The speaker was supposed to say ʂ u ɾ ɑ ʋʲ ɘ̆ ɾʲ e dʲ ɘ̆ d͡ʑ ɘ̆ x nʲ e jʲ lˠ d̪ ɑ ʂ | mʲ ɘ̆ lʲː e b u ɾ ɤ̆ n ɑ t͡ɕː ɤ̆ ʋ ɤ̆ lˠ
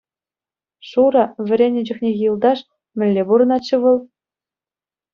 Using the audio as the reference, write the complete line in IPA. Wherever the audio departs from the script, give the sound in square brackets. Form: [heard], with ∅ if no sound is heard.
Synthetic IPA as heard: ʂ u ɾ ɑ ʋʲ ɘ̆ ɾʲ e [nʲ] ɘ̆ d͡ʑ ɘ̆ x nʲ e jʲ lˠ d̪ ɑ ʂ | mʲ ɘ̆ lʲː e b u ɾ ɤ̆ n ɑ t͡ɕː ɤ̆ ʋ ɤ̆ lˠ